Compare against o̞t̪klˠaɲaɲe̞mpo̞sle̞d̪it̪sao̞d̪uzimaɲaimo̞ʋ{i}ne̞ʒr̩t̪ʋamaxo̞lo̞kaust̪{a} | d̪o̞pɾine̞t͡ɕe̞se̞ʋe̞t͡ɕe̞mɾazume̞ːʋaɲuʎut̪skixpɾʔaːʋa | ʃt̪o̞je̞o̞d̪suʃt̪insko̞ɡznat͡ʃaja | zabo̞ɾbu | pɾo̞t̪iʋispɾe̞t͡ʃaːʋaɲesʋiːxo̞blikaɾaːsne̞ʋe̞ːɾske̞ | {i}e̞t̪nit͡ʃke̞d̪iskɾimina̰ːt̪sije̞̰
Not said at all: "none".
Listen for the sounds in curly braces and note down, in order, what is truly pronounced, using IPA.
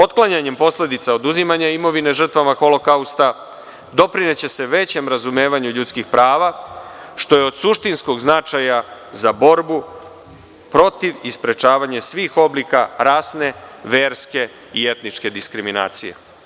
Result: i, a, i

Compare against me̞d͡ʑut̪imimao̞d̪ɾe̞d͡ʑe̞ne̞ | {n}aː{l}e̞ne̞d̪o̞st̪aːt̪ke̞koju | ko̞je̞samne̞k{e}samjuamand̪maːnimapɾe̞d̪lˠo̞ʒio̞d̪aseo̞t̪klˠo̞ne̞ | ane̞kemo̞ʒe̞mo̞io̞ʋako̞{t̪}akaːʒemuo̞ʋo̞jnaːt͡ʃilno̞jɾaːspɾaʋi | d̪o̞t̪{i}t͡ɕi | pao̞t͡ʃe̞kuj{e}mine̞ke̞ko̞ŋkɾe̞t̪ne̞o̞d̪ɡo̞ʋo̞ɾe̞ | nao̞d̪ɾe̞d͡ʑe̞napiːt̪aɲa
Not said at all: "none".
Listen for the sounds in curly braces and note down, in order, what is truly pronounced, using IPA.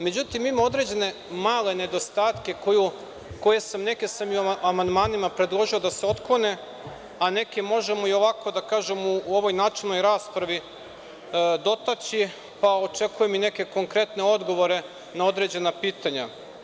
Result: m, l, e, d̪, a, e

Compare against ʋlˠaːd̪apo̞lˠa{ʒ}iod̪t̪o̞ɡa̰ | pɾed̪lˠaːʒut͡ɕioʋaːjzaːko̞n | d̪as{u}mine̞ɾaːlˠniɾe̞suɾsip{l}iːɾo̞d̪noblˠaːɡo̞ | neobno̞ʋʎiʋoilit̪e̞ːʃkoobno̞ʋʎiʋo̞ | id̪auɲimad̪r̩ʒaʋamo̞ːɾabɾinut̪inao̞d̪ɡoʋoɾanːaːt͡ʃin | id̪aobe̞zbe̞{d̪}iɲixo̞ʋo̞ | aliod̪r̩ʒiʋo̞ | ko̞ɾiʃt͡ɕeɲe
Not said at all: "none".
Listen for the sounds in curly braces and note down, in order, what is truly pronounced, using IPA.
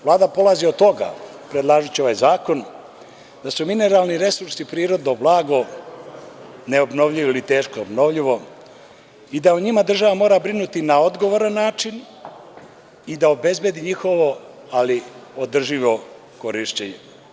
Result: z, u, ɾ, d̪

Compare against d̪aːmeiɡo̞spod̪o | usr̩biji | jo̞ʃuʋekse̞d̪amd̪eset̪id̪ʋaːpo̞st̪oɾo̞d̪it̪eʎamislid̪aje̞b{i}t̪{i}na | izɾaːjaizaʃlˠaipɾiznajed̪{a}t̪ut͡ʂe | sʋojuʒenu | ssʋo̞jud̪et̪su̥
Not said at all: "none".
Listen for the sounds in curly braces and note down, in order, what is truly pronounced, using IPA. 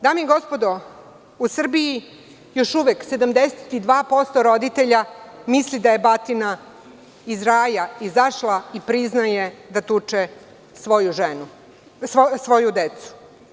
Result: a, i, a

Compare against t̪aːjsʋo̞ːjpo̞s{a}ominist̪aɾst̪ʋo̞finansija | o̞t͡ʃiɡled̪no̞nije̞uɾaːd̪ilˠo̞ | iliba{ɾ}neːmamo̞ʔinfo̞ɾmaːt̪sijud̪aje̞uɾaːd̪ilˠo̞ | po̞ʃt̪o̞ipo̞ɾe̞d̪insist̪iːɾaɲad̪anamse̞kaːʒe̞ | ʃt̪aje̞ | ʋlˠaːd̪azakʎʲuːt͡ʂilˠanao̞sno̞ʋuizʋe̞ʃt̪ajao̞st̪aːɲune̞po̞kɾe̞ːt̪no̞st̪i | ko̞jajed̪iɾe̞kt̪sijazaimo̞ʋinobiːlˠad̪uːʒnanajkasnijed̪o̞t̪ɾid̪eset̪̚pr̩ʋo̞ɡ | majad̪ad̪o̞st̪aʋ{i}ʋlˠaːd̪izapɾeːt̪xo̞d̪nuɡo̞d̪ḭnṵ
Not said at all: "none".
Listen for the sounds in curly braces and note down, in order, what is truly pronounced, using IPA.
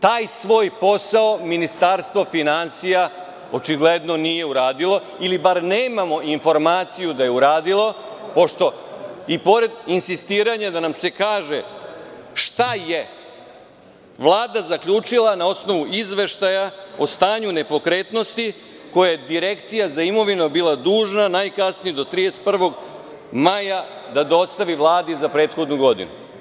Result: a, ɾ, i

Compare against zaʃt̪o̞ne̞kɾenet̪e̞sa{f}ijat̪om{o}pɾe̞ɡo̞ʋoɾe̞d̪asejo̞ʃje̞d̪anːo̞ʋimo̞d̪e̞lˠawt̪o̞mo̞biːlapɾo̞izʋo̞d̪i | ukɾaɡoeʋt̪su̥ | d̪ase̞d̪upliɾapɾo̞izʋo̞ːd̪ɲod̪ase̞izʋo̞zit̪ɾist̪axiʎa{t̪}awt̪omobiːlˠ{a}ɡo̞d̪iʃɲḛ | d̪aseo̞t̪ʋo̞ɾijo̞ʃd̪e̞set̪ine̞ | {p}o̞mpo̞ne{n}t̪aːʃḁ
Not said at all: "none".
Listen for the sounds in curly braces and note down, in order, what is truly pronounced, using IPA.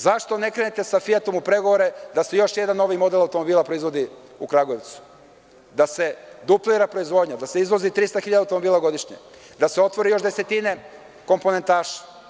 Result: f, u, d̪, a, k, n

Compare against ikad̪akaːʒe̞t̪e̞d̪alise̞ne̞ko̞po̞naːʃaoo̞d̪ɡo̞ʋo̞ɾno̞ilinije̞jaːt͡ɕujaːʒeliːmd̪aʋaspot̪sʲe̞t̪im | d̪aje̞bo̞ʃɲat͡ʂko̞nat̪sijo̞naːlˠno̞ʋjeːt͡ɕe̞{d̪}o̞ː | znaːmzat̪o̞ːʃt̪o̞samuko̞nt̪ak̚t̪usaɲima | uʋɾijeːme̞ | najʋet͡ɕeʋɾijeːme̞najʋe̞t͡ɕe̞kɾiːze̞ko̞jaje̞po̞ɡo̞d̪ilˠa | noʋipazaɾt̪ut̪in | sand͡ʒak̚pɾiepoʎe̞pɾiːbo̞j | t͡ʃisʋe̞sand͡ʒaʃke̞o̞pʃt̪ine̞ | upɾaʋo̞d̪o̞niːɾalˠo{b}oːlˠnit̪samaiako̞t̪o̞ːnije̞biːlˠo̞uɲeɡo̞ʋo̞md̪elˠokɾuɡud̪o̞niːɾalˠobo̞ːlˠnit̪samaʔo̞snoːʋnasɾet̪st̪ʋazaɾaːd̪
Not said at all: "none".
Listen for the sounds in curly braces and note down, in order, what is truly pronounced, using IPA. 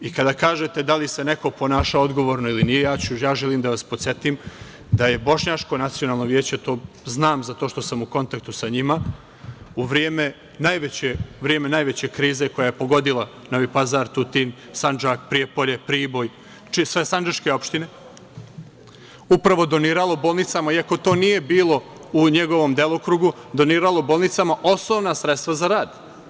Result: t̪, b

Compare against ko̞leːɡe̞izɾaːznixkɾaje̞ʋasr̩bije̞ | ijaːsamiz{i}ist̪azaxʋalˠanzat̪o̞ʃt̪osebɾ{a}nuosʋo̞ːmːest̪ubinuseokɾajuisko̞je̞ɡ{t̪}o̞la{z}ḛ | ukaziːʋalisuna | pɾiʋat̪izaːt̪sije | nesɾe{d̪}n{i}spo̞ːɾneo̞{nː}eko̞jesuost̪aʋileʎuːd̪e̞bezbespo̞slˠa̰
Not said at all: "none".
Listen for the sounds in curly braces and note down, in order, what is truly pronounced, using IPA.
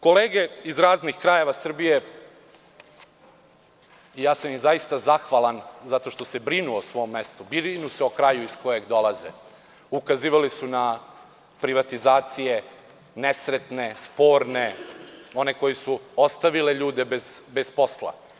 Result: a, i, d̪, z, t̪, e, n

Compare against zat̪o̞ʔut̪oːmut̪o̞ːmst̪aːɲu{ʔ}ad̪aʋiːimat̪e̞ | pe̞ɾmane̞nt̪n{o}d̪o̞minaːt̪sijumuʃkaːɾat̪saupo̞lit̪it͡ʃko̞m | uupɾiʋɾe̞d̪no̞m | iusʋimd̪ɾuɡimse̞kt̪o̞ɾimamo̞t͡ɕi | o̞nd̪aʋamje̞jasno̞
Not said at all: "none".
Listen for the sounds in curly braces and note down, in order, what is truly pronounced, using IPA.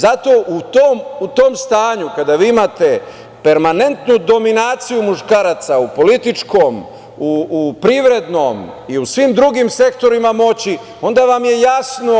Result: k, u

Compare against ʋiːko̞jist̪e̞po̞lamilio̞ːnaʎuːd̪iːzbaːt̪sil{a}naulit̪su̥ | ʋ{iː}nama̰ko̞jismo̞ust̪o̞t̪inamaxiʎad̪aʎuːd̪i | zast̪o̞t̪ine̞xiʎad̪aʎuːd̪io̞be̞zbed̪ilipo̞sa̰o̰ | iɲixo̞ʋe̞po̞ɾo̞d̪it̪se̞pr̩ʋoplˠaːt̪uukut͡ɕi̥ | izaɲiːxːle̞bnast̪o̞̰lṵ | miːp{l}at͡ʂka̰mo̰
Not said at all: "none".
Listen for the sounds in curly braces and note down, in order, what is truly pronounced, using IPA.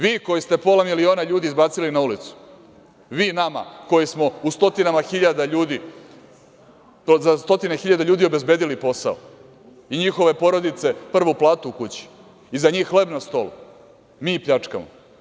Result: i, iː, ʎ

